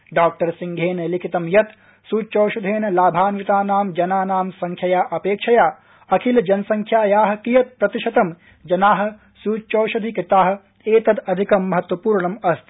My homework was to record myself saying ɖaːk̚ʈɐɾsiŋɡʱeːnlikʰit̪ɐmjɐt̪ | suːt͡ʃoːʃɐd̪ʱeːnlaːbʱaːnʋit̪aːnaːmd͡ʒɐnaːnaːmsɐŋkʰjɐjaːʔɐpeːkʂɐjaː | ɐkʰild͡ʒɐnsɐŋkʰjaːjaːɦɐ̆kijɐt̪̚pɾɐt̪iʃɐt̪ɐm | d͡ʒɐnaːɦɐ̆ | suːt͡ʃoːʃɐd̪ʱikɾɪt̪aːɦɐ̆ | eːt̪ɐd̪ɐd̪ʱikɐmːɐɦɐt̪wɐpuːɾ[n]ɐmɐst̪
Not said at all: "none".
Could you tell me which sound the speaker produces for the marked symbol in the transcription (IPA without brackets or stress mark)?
ɳ